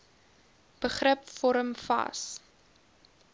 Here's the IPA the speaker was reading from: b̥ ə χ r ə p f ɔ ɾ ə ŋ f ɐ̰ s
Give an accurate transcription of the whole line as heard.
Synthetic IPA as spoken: b̥ ə χ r ə p f ɔ ɾ ə m f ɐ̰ s